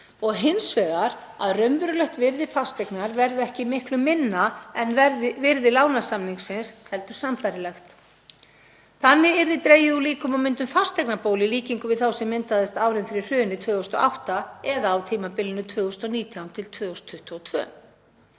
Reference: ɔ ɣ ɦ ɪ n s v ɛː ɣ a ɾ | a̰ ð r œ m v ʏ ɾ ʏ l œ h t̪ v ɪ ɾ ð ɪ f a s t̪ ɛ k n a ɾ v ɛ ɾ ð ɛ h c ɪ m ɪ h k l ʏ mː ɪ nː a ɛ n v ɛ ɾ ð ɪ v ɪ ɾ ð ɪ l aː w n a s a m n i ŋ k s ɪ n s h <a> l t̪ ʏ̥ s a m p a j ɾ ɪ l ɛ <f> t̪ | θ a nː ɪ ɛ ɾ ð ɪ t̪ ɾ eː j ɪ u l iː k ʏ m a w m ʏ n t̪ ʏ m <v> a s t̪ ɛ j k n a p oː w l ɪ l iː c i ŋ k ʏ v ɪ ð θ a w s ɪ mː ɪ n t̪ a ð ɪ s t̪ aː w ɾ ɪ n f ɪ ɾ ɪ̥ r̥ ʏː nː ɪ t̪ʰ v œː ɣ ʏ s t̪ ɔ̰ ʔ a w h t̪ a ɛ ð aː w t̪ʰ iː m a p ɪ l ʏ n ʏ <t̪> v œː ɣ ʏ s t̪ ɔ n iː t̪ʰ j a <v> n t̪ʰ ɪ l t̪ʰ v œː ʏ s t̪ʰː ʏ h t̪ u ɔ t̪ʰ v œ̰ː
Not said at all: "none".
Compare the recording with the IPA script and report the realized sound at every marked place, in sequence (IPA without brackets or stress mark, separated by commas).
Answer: ɛ, x, f, t̪ʰ, w